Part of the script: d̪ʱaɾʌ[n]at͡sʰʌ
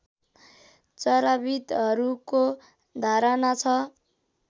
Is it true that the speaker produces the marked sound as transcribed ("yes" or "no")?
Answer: yes